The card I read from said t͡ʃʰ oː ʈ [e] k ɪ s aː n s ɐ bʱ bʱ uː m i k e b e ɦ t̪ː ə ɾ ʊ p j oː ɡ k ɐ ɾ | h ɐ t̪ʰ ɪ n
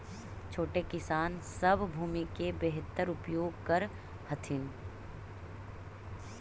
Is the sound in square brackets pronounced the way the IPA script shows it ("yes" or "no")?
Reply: yes